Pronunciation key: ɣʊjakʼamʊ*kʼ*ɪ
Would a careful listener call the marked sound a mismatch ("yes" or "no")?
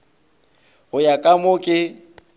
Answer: no